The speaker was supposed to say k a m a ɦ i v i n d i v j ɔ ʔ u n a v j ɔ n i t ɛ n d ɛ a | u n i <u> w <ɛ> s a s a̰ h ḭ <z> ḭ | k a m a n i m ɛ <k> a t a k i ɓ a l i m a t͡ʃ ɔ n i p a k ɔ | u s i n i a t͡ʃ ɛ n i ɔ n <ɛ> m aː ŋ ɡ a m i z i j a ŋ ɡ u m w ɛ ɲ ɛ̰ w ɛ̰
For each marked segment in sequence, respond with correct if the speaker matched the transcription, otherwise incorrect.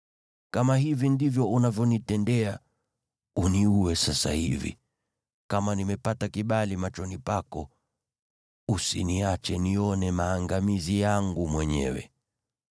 correct, correct, incorrect: v, incorrect: p, correct

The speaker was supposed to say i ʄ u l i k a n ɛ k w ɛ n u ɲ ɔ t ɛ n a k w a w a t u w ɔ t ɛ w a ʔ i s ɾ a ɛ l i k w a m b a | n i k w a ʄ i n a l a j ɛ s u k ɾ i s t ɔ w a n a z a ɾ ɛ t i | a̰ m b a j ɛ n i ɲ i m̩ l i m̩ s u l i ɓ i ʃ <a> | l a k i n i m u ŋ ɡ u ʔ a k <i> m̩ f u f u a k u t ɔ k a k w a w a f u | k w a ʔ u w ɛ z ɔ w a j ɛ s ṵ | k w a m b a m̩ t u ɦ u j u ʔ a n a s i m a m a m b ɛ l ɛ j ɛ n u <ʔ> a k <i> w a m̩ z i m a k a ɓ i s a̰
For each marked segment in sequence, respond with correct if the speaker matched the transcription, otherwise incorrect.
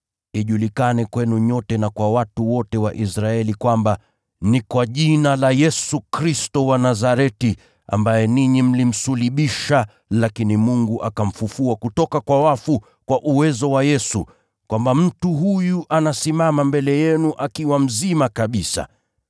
correct, incorrect: a, correct, correct

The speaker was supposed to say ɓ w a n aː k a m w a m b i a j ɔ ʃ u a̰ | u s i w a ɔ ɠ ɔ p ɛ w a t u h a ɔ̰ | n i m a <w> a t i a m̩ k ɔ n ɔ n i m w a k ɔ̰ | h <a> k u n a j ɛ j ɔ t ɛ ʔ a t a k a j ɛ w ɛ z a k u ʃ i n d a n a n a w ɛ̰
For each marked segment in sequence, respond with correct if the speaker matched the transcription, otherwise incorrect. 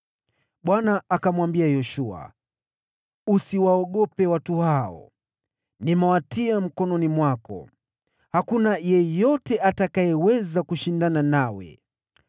correct, correct

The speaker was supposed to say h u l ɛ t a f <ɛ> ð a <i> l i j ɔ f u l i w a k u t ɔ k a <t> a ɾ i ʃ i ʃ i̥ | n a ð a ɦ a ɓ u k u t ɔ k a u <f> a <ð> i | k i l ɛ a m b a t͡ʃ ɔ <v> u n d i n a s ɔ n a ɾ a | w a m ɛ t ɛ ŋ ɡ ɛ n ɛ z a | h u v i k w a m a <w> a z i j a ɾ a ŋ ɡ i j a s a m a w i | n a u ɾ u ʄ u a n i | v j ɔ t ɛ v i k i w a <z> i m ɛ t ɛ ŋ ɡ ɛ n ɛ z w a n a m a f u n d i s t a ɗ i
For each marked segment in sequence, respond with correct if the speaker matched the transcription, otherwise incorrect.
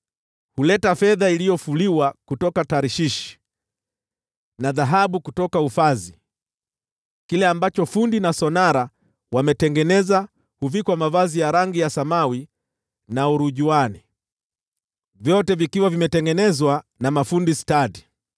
correct, correct, correct, correct, incorrect: z, incorrect: f, incorrect: v, incorrect: v

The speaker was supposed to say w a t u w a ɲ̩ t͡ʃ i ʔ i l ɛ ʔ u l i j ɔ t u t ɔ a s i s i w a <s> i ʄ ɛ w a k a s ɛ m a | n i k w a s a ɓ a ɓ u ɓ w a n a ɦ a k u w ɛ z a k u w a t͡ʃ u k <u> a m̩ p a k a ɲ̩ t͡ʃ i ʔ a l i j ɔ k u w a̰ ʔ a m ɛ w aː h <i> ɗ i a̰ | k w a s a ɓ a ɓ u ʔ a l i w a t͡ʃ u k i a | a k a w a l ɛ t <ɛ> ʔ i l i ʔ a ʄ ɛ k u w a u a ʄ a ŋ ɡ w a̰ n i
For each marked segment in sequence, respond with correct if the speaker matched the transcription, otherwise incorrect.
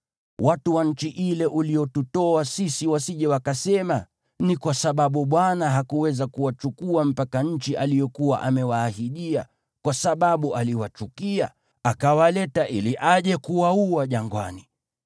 correct, correct, correct, incorrect: a

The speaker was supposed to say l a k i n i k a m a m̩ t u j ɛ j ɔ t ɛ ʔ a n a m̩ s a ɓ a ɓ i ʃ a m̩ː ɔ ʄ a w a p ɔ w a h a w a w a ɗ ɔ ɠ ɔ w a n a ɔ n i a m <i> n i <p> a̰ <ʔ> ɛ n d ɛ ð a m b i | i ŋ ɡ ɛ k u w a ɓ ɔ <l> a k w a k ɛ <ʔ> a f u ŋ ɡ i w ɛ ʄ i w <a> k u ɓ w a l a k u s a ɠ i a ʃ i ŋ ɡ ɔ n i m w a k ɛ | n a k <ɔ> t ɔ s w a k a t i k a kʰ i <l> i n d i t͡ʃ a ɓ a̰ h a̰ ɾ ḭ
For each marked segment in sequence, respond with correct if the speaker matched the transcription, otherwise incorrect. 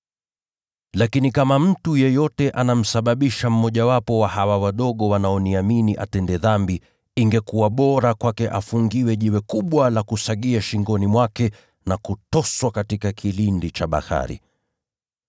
correct, incorrect: ʔ, incorrect: t, incorrect: ɾ, correct, incorrect: ɛ, incorrect: u, correct

